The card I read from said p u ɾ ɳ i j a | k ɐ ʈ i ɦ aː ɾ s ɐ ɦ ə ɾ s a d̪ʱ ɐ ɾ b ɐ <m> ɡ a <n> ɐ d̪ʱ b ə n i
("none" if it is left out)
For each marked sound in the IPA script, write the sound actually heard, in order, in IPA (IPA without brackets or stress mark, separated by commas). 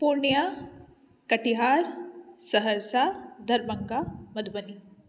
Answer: ŋ, m